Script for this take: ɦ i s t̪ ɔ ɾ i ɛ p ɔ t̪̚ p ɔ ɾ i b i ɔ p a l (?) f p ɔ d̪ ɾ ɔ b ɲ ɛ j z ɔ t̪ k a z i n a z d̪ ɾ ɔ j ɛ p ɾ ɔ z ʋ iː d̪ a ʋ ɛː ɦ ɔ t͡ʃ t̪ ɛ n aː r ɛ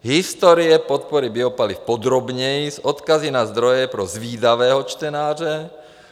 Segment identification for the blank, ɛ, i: i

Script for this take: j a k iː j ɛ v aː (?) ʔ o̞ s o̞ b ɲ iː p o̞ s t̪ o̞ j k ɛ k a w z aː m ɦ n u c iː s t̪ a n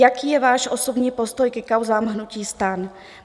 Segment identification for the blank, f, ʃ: ʃ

